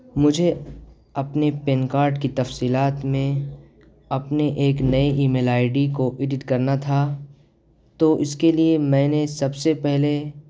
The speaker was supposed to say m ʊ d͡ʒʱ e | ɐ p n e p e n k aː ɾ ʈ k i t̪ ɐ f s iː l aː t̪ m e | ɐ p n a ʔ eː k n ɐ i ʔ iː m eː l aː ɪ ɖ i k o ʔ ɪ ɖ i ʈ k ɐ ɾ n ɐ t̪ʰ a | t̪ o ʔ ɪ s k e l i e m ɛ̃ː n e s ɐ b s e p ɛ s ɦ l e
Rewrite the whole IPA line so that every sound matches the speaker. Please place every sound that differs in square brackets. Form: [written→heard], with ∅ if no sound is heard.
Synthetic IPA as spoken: m ʊ d͡ʒʱ e | ɐ p n e p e n k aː ɾ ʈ k i t̪ ɐ f s iː l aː t̪ m [e→ẽ] | ɐ p n [a→e] ʔ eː k n ɐ i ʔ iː m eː l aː ɪ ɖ i k o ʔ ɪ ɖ [i→ɪ] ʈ k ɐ ɾ n [ɐ→a] t̪ʰ a | t̪ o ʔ ɪ s k e l i e m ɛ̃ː n e s ɐ b s e p ɛ [s→∅] ɦ l e